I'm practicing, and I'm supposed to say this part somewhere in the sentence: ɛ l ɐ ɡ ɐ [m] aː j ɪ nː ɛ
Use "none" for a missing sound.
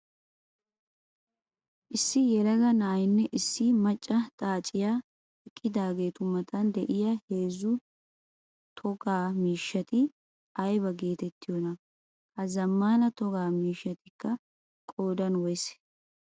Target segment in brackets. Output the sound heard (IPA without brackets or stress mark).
n